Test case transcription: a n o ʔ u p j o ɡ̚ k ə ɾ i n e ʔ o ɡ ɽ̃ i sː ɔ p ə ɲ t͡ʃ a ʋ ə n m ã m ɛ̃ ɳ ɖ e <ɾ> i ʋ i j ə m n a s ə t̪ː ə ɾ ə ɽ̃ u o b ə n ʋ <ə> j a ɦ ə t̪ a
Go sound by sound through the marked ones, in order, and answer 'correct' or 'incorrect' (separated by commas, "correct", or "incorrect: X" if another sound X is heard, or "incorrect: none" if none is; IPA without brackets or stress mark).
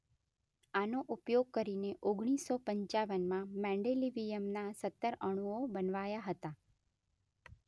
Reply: incorrect: l, incorrect: a